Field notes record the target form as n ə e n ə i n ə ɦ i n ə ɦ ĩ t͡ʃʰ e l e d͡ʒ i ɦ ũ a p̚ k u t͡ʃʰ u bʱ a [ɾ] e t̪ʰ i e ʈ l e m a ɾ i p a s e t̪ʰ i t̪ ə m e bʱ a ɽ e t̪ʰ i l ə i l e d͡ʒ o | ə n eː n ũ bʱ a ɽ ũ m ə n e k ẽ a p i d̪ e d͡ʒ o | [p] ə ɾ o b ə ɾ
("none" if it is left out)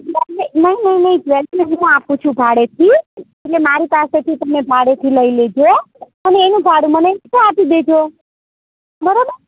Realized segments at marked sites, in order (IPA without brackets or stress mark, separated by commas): ɽ, b